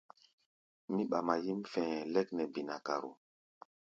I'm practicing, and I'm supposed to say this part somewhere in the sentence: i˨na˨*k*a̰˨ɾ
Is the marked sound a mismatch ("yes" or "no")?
no